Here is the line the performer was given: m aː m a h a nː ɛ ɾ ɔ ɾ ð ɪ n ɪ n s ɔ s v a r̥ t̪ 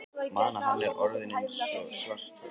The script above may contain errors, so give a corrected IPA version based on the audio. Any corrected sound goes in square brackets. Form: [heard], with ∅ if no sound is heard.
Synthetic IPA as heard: m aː [n] a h a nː ɛ ɾ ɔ ɾ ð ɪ n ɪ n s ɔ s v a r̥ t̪